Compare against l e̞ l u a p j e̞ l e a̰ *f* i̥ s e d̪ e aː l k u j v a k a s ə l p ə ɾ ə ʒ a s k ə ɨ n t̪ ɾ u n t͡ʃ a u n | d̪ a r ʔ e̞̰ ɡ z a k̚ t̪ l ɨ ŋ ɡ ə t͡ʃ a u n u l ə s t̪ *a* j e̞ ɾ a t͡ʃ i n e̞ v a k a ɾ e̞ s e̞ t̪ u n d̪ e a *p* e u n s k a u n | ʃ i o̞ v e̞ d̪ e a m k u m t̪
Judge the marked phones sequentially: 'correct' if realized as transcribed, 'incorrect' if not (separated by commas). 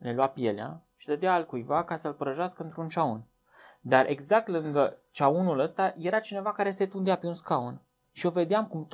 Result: incorrect, correct, correct